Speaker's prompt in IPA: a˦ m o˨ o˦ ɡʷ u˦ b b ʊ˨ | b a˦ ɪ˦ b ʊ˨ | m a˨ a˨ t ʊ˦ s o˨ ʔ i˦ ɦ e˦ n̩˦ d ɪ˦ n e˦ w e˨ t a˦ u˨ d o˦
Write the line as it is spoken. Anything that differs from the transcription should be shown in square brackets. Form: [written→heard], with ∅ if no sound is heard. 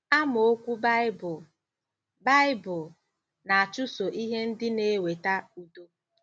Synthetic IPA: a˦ m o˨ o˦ [ɡʷ→kʷ] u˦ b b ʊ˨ | b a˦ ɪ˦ b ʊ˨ | [m→n] a˨ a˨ [t→t͡ʃ] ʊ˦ s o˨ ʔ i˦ ɦ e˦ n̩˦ d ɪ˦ n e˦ w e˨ t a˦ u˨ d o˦